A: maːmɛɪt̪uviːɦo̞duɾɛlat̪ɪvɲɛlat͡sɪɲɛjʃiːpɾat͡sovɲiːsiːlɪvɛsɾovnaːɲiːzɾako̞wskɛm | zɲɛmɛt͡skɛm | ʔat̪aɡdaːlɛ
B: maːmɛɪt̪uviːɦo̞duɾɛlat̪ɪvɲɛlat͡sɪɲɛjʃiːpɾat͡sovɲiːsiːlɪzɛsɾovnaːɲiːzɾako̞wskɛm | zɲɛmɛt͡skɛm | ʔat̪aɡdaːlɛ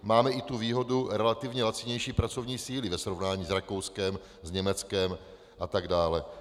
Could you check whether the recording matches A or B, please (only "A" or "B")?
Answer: A